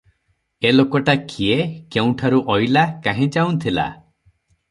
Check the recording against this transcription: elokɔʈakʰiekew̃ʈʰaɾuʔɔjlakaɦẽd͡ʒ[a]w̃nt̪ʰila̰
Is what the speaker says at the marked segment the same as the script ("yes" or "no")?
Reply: yes